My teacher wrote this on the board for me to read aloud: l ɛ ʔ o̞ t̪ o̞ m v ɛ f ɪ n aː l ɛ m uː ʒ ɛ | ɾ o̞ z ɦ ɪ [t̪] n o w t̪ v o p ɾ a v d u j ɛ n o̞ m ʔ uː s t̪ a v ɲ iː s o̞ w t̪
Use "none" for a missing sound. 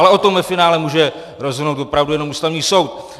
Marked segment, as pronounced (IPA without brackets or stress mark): none